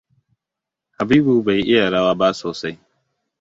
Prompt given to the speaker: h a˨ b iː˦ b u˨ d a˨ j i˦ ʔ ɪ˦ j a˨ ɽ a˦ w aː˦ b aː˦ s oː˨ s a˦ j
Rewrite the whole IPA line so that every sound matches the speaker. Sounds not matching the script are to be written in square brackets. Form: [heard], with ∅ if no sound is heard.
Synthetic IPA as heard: h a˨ b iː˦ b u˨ [b] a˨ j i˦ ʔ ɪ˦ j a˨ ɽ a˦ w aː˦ b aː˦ s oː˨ s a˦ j